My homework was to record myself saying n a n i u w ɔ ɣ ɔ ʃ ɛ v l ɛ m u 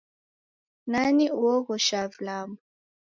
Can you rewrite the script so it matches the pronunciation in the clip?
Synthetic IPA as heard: n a n i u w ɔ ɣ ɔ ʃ a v l a m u